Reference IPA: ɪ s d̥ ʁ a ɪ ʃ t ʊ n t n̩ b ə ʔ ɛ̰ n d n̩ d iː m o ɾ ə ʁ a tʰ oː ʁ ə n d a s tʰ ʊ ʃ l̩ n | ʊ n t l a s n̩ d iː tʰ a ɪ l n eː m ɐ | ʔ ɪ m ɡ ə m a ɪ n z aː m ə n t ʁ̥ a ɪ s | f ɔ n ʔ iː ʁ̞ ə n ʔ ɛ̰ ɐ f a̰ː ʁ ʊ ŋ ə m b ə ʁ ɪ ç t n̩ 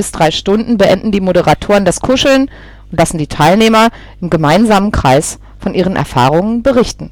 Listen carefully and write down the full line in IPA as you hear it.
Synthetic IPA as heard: ɪ s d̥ ʁ a ɪ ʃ t ʊ n d n̩ b ə ʔ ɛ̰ n d n̩ d iː m o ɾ ə ʁ a tʰ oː ʁ ə n d a s kʰ ʊ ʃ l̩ n | ʊ n t l a s n̩ d iː tʰ a ɪ l n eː m ɐ | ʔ ɪ m ɡ ə m a ɪ n z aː m ə n k ʁ̥ a ɪ s | f ɔ n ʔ iː ʁ̞ ə n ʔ ɛ̰ ɐ f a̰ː ʁ ʊ ŋ ə n b ə ʁ ɪ ç t n̩